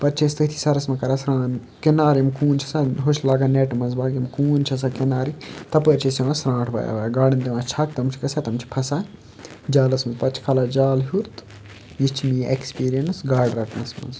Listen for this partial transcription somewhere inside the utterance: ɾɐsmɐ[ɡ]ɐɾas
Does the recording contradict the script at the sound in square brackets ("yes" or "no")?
yes